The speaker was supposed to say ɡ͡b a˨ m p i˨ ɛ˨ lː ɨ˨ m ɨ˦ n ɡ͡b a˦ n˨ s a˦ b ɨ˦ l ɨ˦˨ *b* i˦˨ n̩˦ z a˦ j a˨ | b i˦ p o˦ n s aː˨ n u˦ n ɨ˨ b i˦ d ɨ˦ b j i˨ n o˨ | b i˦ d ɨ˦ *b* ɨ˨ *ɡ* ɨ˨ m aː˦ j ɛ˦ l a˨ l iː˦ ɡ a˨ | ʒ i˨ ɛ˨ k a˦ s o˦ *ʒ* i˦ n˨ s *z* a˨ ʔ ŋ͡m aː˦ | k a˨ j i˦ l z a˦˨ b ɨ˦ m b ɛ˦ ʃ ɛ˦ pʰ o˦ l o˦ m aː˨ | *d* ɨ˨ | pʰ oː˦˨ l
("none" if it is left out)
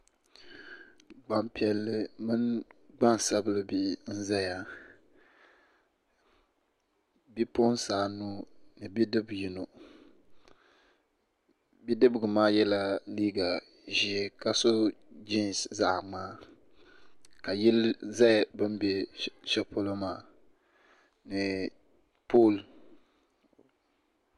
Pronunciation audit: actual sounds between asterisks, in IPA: b, b, ɡ, d͡ʒ, z, n

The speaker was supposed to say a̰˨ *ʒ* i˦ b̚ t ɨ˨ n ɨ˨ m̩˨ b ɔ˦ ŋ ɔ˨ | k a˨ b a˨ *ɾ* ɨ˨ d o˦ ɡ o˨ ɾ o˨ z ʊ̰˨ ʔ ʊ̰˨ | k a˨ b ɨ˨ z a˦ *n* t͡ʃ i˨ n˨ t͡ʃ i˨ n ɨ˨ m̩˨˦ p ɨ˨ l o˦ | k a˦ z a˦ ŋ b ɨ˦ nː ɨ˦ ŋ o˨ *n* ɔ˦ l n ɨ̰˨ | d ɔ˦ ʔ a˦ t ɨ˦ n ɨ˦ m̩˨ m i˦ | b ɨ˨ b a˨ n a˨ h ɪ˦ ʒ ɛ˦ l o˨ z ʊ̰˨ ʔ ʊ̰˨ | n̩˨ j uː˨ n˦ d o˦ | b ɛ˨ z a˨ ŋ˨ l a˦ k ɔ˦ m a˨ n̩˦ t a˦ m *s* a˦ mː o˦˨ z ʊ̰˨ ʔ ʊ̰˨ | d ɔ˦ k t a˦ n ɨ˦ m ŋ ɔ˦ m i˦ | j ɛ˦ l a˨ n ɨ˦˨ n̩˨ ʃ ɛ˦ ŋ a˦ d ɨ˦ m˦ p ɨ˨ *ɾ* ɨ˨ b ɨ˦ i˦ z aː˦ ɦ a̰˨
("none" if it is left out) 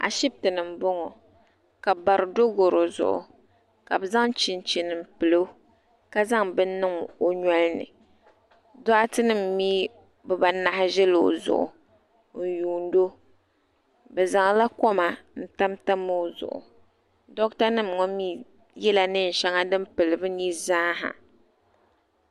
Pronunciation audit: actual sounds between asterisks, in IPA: ʃ, ɾ, ŋ, ɲ, t, l

